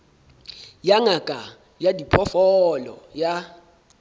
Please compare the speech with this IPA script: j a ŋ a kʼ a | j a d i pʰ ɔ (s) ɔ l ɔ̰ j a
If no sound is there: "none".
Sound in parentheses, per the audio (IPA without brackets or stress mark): f